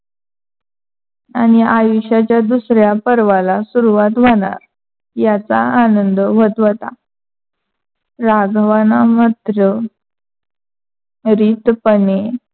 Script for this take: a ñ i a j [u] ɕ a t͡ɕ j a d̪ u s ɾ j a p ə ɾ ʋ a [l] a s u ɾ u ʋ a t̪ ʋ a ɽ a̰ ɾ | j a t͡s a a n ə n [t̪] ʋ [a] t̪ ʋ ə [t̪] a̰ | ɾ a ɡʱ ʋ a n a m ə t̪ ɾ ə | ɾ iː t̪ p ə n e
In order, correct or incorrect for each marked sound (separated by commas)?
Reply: correct, correct, incorrect, incorrect, correct